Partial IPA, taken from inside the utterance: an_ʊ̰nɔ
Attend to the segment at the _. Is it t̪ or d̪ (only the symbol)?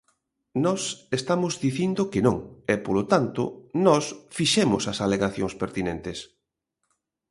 t̪